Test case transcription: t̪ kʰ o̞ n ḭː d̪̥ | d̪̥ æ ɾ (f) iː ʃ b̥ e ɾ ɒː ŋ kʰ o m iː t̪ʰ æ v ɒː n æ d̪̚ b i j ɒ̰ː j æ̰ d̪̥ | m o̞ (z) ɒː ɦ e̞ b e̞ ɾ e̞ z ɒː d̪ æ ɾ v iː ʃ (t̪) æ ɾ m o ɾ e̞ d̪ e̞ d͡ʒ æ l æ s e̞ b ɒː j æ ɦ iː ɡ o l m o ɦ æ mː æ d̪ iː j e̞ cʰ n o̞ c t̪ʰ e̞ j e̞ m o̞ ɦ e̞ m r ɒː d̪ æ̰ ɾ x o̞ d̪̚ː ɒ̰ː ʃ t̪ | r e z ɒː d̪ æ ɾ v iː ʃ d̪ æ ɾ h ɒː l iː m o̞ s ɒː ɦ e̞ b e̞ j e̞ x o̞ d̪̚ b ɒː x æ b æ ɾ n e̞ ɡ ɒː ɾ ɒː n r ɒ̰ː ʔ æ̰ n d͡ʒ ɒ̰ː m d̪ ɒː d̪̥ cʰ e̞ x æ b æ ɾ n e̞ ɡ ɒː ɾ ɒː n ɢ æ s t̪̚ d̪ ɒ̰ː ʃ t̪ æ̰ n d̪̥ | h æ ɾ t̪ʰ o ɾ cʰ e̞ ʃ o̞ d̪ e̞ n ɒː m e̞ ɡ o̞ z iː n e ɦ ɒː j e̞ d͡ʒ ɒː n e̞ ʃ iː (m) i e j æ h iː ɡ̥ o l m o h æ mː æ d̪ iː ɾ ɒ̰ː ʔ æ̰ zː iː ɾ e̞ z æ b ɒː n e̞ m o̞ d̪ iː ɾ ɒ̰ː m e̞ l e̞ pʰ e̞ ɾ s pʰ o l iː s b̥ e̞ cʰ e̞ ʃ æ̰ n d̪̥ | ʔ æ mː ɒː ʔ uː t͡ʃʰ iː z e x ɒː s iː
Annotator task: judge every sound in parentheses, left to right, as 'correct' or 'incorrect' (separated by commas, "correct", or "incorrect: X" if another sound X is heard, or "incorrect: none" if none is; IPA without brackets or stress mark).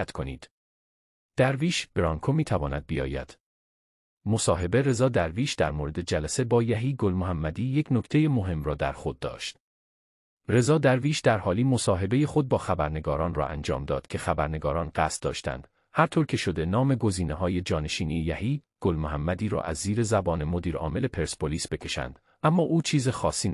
incorrect: v, incorrect: s, incorrect: d̪, incorrect: n